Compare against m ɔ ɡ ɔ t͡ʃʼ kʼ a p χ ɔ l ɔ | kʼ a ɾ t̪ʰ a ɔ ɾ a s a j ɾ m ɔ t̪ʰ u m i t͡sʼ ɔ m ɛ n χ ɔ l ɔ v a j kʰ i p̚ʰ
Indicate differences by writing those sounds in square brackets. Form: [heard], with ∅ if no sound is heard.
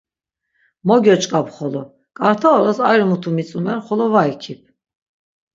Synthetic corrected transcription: m ɔ ɡ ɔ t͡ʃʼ kʼ a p χ ɔ l ɔ | kʼ a ɾ t̪ʰ a ɔ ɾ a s a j ɾ m [u] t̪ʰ u m i t͡sʼ [u] m ɛ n χ ɔ l ɔ v a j kʰ i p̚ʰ

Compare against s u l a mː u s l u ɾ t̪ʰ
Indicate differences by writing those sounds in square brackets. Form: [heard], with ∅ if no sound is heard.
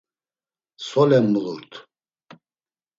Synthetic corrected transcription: s [ɔ] l [ɛ] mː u [∅] l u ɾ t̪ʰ

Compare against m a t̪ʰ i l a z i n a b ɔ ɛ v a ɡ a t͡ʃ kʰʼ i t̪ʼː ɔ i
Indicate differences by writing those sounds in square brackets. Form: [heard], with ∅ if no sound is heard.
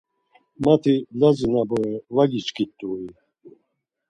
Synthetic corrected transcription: m a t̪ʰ i l a z i n a b ɔ ɛ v a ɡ [i] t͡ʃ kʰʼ i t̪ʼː [u] i

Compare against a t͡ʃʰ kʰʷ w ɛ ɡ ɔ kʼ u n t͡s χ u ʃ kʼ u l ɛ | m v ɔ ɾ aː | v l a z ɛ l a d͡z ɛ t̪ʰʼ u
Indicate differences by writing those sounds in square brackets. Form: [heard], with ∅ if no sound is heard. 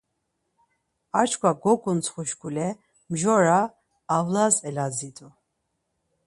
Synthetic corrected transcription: a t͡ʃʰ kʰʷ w [a] ɡ ɔ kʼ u n t͡s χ u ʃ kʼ u l ɛ | m [ʒ] ɔ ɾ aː | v l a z ɛ l a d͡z [i] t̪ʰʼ u

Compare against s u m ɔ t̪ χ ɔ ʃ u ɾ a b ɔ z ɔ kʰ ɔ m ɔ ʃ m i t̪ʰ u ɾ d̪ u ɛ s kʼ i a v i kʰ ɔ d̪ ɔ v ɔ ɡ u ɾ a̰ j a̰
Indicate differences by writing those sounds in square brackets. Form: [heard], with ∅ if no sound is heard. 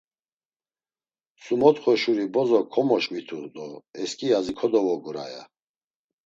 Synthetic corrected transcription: s u m ɔ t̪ χ ɔ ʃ u ɾ [i] b ɔ z ɔ kʰ ɔ m ɔ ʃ m i t̪ʰ u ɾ d̪ [ɔ] ɛ s kʼ i a [z] i kʰ ɔ d̪ ɔ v ɔ ɡ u ɾ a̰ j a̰

